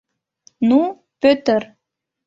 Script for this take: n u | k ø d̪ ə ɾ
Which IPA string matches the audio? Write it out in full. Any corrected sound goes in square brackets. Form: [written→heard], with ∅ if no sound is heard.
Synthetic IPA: n u | [k→p] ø [d̪→t̪] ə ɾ